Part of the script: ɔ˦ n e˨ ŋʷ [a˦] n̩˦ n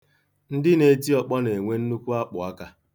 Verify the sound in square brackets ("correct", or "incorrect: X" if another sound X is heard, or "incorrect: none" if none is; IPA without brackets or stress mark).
incorrect: e˦